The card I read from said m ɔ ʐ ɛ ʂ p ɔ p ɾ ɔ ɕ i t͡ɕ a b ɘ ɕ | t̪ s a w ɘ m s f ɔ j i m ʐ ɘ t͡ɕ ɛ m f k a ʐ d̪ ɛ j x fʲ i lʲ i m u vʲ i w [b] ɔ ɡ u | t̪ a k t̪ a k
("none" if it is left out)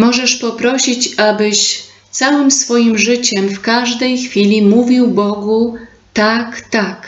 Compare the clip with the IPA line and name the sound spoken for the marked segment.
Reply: b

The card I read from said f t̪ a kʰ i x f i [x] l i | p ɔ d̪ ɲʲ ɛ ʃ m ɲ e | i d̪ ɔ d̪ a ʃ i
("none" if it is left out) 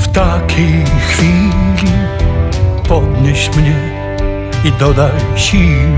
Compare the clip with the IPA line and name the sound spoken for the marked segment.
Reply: none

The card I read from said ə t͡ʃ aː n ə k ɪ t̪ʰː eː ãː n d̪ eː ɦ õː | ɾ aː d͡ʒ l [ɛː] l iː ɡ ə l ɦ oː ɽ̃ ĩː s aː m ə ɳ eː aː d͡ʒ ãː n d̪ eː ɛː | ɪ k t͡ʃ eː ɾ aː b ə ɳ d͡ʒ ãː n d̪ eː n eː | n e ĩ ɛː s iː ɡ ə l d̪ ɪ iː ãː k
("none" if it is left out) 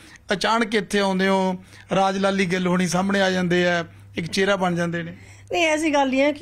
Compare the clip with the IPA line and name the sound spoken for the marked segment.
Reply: aː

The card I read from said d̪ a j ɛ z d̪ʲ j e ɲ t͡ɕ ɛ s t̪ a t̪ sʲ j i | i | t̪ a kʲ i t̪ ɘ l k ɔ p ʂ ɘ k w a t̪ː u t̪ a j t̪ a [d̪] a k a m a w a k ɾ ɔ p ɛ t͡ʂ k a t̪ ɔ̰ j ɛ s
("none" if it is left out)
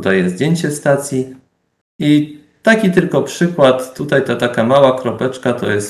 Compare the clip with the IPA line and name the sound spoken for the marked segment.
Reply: t̪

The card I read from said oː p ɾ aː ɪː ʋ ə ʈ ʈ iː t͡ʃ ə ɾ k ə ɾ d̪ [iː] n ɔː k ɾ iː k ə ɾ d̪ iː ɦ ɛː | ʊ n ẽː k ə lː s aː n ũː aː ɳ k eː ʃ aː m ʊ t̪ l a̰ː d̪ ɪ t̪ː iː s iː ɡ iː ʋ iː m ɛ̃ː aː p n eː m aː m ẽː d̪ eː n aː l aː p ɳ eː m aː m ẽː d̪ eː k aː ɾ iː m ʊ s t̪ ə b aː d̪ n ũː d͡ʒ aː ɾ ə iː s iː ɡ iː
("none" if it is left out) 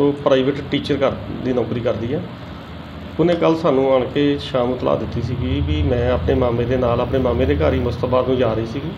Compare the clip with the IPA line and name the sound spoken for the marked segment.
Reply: iː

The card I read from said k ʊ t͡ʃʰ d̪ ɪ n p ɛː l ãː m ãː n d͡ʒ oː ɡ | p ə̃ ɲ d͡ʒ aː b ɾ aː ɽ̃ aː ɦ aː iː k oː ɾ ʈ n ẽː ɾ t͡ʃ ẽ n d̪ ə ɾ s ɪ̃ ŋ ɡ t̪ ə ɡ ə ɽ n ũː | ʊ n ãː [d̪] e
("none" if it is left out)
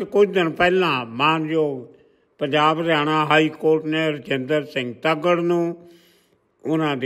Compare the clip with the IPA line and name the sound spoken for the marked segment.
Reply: d̪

